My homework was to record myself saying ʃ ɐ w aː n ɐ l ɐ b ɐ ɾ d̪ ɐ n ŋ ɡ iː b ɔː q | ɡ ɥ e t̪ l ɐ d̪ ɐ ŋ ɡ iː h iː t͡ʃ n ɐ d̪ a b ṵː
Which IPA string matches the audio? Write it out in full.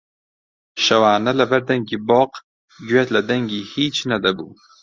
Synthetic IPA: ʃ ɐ w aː n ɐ l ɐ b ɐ ɾ d̪ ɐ ŋ ɡ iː b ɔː q | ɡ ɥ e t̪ l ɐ d̪ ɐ ŋ ɡ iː h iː t͡ʃ n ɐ d̪ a b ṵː